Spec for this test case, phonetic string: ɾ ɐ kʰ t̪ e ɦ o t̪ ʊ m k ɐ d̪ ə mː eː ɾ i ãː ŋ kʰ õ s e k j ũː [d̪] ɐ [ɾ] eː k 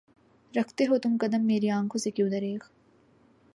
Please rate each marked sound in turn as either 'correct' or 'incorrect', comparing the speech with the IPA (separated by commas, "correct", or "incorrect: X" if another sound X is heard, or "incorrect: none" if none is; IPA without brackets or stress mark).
correct, correct